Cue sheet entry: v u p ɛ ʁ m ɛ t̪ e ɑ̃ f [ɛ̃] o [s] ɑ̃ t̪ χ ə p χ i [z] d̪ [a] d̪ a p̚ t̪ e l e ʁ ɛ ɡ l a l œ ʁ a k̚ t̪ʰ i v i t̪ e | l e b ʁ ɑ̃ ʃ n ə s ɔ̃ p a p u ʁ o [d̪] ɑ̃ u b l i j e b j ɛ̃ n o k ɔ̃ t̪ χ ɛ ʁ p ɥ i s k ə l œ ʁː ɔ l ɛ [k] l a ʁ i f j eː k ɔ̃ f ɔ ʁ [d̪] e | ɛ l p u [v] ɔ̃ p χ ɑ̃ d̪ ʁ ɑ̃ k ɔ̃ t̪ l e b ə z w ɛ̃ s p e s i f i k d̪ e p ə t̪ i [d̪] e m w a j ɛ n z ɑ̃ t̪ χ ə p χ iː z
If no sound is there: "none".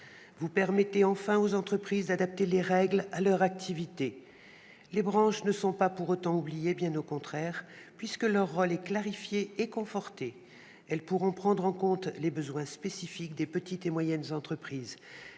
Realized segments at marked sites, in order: ɛ̃, z, z, a, t̪, k, t̪, ʁ, t̪

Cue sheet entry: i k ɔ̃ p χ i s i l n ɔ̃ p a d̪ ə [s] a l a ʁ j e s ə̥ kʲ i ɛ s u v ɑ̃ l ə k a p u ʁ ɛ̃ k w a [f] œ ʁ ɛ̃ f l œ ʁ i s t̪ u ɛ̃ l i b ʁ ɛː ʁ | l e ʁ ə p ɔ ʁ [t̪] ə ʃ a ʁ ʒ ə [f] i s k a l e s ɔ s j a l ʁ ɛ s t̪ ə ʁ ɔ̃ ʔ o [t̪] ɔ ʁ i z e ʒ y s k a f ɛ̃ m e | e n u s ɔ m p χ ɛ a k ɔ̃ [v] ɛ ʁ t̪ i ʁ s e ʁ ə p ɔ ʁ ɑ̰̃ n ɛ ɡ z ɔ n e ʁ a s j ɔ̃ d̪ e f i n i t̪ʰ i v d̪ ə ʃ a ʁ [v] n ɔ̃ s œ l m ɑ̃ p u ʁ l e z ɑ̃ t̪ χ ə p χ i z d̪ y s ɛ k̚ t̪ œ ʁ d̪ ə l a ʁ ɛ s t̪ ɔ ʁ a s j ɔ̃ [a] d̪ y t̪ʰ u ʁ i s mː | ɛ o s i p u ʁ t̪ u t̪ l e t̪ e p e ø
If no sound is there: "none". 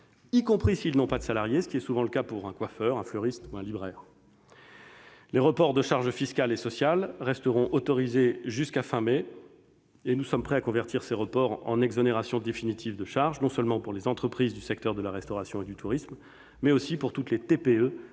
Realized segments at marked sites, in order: s, f, d̪, f, t̪, v, ʒ, e

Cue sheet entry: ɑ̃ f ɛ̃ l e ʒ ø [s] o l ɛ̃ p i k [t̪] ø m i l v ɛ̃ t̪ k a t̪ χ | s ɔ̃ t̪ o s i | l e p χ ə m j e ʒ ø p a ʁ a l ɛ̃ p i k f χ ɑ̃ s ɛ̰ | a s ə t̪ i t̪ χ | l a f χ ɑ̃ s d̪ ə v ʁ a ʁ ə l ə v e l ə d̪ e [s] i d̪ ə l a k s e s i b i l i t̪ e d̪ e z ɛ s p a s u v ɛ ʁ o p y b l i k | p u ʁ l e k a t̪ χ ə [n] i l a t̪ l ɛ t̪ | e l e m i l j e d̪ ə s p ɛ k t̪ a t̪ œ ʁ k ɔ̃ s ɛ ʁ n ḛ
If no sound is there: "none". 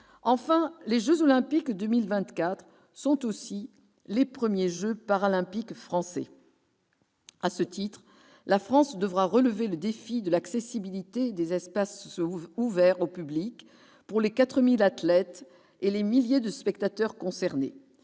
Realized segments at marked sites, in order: z, d̪, f, m

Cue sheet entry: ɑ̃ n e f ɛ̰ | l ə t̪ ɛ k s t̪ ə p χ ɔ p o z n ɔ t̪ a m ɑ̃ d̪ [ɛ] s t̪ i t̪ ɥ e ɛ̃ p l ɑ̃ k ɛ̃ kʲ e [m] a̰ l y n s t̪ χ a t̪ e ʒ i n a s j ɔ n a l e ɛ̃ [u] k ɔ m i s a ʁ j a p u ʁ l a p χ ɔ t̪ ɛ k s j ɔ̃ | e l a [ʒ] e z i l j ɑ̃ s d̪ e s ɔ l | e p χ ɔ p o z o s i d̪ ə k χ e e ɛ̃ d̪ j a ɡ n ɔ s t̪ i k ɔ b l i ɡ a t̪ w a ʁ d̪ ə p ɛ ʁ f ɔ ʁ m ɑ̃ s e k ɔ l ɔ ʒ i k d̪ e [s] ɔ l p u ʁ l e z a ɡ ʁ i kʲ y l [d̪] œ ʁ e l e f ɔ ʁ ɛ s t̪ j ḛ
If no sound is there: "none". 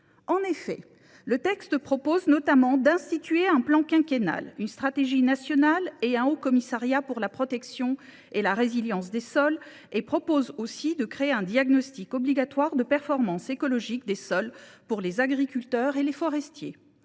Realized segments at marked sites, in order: ɛ̃, n, o, ʁ, s, t̪

